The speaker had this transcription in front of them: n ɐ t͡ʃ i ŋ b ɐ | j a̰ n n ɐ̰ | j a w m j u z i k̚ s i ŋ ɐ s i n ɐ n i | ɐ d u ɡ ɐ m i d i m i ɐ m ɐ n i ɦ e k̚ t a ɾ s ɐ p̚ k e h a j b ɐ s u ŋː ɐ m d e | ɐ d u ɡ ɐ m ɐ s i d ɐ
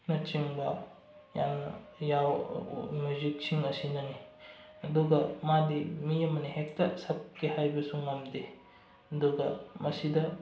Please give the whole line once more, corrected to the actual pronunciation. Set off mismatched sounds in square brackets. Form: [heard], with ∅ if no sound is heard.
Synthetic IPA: n ɐ t͡ʃ i ŋ b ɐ | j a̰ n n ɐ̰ | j a w m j u z i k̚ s i ŋ ɐ s i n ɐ n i | ɐ d u ɡ ɐ m [a] d i m i ɐ m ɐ n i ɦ e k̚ t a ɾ s ɐ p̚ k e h a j b ɐ s u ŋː ɐ m d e | ɐ d u ɡ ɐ m ɐ s i d ɐ